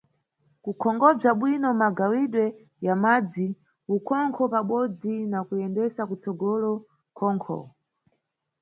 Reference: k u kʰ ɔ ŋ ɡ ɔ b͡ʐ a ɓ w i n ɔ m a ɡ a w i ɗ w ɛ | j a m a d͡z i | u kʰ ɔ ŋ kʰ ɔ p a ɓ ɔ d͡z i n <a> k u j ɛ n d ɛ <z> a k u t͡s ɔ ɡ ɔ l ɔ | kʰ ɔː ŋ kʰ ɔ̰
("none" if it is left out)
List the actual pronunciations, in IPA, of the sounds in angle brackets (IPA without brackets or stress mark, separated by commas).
a, s